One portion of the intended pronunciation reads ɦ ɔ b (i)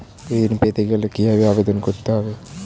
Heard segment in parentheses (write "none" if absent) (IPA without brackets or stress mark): e